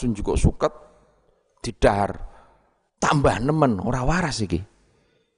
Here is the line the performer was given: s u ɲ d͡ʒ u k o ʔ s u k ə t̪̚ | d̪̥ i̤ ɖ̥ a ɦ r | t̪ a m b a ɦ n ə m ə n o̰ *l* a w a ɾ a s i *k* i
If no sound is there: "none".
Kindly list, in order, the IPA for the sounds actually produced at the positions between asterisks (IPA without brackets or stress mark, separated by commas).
ɾ, k